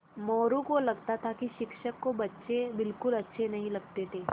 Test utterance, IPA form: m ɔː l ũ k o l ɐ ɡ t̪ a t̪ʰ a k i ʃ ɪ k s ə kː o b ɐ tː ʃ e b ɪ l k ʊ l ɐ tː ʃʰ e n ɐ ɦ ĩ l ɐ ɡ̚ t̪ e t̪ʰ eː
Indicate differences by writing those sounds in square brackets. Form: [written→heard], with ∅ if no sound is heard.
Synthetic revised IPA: m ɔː [l→ɾ] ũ k o l ɐ ɡ t̪ a t̪ʰ a k i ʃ ɪ k [s→ʃ] ə kː o b ɐ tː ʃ e b ɪ l k ʊ l ɐ tː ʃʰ e n ɐ ɦ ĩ l ɐ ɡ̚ t̪ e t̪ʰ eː